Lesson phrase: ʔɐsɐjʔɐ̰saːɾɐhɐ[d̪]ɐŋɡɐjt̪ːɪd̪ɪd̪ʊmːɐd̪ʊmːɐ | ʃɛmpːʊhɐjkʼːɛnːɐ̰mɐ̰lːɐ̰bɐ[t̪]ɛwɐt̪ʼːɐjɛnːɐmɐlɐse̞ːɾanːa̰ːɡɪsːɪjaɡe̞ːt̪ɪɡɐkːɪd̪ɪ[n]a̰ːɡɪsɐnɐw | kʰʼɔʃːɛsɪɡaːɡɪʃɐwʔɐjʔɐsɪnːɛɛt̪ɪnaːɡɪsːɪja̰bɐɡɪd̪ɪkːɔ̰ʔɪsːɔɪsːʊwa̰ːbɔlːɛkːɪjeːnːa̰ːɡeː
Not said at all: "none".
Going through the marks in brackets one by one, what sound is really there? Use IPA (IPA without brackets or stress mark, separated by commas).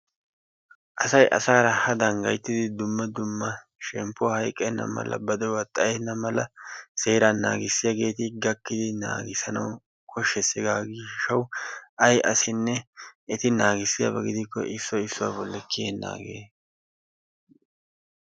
d̪, d̪, n